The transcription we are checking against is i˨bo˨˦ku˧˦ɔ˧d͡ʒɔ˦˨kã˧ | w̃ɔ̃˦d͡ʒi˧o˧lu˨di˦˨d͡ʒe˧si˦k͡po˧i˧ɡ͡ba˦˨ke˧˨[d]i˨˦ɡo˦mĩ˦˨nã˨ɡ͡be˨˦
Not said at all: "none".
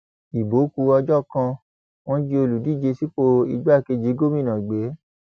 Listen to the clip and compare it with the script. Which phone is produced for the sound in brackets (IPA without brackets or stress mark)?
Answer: d͡ʒ